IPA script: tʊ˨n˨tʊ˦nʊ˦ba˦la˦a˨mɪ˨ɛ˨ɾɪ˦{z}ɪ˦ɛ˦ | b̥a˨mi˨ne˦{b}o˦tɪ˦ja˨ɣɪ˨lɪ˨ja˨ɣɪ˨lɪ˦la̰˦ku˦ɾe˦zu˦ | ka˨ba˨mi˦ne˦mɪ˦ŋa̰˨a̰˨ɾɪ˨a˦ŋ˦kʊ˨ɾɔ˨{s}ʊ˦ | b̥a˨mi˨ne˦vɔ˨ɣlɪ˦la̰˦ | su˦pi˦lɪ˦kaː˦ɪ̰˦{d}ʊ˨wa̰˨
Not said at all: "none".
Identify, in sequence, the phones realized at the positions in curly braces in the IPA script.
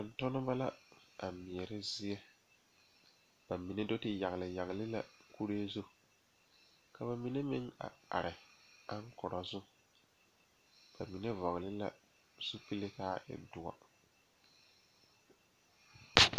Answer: z, d, z, d

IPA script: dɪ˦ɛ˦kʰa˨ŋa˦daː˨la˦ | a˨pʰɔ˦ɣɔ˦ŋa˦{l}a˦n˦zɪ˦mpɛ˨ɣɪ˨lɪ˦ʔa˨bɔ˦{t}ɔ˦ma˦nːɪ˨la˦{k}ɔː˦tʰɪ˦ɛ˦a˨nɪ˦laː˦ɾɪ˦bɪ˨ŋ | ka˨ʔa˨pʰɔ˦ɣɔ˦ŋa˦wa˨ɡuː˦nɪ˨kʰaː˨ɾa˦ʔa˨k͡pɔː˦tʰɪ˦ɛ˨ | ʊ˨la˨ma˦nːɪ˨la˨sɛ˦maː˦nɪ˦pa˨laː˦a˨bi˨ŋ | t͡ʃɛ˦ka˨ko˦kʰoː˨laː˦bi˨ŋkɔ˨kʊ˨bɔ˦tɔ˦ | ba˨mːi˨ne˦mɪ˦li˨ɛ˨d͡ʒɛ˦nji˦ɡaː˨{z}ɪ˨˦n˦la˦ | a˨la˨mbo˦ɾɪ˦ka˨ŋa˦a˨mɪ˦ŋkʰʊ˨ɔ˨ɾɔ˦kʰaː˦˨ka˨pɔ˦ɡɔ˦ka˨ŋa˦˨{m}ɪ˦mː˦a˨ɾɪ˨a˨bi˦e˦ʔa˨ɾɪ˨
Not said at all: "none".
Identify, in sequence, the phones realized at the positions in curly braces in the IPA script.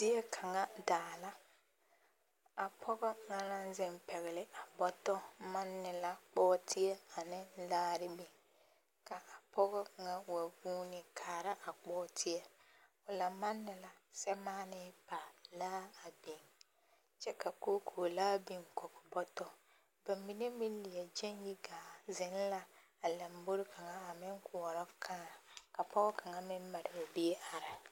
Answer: l, t, k͡p, z, m

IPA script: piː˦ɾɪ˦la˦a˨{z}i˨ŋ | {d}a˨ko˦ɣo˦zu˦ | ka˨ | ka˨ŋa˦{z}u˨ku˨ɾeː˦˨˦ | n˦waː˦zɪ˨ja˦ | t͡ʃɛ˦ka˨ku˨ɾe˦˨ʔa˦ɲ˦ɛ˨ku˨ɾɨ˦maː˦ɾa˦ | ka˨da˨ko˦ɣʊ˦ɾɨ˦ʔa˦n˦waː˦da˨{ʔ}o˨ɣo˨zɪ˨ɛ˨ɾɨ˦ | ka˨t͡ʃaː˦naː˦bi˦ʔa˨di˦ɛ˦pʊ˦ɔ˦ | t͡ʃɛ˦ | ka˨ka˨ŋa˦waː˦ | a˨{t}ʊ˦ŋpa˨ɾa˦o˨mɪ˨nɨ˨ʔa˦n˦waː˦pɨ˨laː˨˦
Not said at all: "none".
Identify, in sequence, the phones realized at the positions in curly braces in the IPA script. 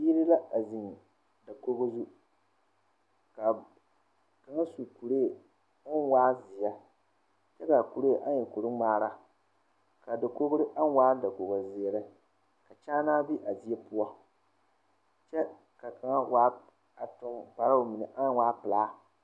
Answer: z, d, s, k, t

